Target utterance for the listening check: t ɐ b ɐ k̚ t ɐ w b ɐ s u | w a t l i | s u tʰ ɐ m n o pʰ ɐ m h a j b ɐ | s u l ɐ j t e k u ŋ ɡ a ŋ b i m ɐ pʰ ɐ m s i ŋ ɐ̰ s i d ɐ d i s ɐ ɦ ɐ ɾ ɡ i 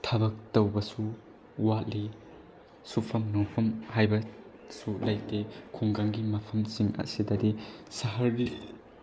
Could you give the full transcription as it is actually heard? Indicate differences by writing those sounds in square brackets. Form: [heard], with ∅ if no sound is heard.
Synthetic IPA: [tʰ] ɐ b ɐ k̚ t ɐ w b ɐ s u | w a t l i | s u [pʰ] ɐ m n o pʰ ɐ m h a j b ɐ | s u l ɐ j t e [kʰ] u ŋ ɡ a ŋ [ɡ] i m ɐ pʰ ɐ m s i ŋ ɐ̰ s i d ɐ d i s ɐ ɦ ɐ ɾ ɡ i